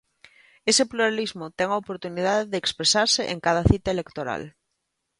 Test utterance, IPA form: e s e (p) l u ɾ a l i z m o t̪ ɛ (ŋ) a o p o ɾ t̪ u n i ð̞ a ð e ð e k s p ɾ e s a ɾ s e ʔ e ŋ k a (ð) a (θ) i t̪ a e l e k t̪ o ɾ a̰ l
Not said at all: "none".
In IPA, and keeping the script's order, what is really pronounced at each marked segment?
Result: p, ŋ, ð, θ

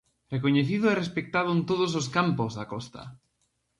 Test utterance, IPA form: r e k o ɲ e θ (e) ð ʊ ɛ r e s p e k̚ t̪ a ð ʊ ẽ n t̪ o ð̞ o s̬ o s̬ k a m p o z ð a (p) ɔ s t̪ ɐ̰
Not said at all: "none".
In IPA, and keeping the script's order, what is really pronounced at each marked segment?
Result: i, k

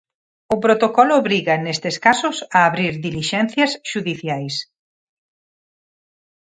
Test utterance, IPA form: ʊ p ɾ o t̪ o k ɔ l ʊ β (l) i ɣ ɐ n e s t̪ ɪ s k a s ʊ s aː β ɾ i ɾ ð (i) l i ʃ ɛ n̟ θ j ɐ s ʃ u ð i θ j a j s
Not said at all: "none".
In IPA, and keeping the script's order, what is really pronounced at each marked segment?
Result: ɾ, i

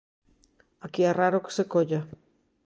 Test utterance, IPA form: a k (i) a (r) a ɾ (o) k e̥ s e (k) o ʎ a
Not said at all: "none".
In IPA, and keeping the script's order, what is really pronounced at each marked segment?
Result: i, r, o, k

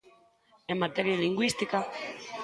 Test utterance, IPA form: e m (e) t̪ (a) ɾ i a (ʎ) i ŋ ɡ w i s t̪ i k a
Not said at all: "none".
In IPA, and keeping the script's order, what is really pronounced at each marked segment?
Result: a, e, l

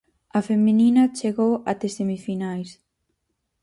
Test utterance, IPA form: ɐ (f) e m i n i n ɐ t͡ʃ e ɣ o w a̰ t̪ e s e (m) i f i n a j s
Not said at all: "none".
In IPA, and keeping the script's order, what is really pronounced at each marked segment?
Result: f, m

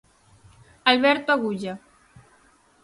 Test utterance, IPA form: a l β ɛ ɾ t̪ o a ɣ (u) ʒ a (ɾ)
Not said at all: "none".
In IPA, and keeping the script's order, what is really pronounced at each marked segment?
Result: u, none

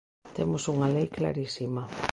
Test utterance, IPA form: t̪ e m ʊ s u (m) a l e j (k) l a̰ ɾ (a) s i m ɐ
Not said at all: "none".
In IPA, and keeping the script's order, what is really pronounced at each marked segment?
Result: ŋ, k, i

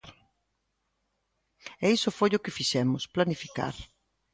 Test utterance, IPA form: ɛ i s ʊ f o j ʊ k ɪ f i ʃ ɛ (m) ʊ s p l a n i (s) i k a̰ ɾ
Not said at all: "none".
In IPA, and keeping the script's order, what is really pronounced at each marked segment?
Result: m, f

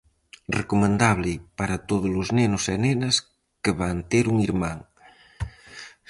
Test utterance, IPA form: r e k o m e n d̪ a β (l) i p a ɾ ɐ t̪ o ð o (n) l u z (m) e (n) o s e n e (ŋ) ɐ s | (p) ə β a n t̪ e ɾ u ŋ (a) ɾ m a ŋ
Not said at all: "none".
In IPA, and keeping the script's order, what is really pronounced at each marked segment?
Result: l, none, n, n, n, k, i

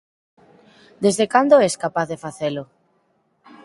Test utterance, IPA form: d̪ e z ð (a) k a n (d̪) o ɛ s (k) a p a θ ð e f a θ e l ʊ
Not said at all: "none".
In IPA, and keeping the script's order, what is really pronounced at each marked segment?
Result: e, d̪, k

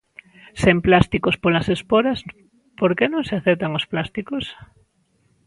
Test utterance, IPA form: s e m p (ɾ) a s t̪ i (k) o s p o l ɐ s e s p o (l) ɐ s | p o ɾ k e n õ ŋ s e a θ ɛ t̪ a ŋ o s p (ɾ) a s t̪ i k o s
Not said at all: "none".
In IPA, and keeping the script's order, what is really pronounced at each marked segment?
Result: l, k, ɾ, l

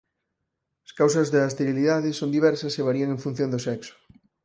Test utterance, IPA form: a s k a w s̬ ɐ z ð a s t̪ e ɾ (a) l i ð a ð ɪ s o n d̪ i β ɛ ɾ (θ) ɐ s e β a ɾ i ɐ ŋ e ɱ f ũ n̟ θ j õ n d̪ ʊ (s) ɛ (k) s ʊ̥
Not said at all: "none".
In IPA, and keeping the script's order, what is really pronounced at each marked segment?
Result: i, s, s, k

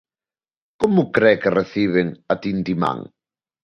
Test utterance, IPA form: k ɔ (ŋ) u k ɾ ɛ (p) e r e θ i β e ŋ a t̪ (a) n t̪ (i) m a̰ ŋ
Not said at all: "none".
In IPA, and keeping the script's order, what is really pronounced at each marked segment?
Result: m, k, i, i

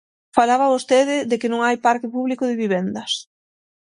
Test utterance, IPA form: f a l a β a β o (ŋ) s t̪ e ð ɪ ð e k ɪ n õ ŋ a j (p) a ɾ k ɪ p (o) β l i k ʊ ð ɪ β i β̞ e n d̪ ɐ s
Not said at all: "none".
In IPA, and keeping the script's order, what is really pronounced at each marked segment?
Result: none, p, u

